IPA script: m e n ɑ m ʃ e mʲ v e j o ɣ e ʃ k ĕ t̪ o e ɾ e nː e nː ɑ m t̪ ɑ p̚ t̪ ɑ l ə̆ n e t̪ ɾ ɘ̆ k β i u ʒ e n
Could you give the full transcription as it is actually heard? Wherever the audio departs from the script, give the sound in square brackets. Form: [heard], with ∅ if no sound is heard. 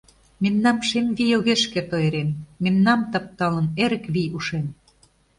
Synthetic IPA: m e [nː] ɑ m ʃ e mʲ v [i] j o ɣ e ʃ k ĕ t̪ o e ɾ e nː e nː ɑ m t̪ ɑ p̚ t̪ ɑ l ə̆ n e [∅] ɾ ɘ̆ k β i u [ʃ] e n